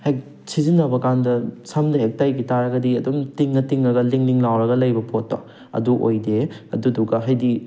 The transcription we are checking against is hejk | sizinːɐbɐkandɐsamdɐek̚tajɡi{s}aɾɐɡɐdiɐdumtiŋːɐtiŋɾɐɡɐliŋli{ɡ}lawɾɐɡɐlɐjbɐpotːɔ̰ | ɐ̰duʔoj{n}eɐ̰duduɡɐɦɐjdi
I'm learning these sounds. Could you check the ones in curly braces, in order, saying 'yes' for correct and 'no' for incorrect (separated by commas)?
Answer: no, no, no